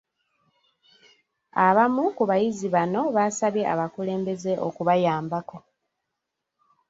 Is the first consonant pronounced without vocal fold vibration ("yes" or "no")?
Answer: no